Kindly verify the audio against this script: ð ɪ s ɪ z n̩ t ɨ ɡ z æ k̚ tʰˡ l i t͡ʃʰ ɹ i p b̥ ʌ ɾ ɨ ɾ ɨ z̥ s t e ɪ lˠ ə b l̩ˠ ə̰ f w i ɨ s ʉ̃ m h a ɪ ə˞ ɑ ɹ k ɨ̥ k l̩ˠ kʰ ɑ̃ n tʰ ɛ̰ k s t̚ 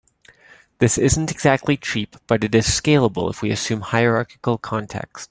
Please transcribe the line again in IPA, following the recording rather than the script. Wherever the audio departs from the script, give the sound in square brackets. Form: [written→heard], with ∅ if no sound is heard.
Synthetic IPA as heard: ð ɪ s ɪ z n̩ t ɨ ɡ z æ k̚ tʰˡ l i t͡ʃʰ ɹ i p b̥ ʌ ɾ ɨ ɾ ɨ z̥ s [t→k] e ɪ lˠ ə b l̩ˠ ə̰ f w i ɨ s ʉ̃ m h a ɪ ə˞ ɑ ɹ k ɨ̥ k l̩ˠ kʰ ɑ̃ n tʰ ɛ̰ k s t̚